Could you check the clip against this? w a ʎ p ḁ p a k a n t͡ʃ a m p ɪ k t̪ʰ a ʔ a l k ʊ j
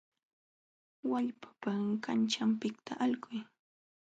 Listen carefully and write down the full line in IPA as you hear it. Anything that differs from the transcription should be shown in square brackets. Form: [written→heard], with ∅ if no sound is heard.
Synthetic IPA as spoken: w a ʎ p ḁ p a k a n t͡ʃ a m p ɪ k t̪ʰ a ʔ a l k ʊ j